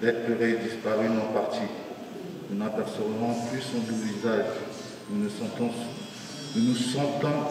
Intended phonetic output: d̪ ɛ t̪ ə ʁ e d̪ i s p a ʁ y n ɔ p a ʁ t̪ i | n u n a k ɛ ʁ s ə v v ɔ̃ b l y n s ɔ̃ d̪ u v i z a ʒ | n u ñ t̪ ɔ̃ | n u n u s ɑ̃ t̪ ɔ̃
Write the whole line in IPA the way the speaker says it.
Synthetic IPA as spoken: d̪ ɛ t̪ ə ʁ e d̪ i s p a ʁ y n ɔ p a ʁ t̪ i | n u n a p ɛ ʁ s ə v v ɔ̃ p l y s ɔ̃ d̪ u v i z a ʒ | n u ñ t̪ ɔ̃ | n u n u s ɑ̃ t̪ ɔ̃